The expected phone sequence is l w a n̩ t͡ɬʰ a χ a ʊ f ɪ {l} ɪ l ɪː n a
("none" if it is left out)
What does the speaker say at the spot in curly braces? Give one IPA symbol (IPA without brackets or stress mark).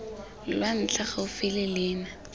l